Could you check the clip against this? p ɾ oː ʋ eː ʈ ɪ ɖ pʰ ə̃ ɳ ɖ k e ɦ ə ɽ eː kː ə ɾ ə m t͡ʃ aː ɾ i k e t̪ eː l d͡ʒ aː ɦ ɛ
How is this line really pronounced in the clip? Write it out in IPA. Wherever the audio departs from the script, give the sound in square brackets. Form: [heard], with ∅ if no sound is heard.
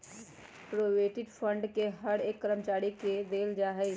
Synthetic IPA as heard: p ɾ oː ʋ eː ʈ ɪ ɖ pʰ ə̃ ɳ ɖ k e ɦ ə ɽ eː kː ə ɾ ə m t͡ʃ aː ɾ i k e [d̪] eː l d͡ʒ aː ɦ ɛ